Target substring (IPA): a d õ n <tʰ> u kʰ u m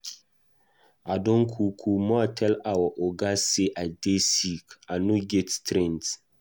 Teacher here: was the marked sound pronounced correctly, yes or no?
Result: no